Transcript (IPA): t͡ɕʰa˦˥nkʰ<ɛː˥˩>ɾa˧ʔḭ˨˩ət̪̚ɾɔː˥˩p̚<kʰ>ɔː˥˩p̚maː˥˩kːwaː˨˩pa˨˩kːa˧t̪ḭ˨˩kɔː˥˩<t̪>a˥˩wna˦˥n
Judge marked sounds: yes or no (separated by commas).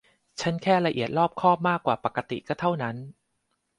yes, yes, no